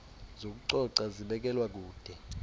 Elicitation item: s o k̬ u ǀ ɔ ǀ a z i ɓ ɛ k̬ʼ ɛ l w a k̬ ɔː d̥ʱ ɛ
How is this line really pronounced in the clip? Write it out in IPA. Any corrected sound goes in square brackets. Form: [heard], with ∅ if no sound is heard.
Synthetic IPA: [z] o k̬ u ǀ ɔ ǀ a z i ɓ ɛ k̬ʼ ɛ l w a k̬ [uː] d̥ʱ ɛ